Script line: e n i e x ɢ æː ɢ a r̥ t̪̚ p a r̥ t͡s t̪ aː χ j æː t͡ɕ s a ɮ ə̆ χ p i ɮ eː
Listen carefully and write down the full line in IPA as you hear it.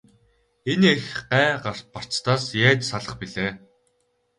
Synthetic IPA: e n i e x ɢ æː ɢ a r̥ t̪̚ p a r̥ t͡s t̪ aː s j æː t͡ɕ s a ɮ ə̆ χ p i ɮ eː

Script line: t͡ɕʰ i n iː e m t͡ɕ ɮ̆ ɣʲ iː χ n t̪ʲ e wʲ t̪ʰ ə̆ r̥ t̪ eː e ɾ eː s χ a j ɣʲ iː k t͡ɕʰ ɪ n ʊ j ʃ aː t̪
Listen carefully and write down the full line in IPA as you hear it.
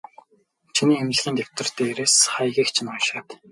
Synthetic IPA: t͡ɕʰ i n iː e m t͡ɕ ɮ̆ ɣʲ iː n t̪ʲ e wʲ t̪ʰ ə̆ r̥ t̪ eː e ɾ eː s χ a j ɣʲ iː k t͡ɕʰ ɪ n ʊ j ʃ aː t̪

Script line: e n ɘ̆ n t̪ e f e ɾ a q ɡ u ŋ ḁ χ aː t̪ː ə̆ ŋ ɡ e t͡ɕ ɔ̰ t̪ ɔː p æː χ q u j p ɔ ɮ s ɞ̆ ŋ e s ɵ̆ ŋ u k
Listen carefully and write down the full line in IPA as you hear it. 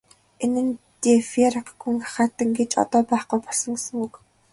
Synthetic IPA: e n ɘ̆ n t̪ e f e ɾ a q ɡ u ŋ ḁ χ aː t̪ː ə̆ ŋ ɡ e t͡ɕ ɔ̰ t̪ ɔː p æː χ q u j p ɔ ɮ s ɞ̆ ŋ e s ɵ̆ ŋ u k

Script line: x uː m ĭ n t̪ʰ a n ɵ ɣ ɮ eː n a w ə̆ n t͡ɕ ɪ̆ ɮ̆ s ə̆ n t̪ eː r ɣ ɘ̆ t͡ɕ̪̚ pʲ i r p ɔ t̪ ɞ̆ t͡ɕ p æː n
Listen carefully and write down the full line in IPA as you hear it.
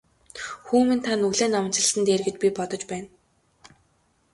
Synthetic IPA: x uː m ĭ n t̪ʰ a n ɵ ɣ ɮ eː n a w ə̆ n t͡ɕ ɪ̆ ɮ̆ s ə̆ n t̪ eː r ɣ ɘ̆ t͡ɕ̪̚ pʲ i p ɔ t̪ ɞ̆ t͡ɕ p æː n

